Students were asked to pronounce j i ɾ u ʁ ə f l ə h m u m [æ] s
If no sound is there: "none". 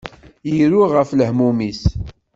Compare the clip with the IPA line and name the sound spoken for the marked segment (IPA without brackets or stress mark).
i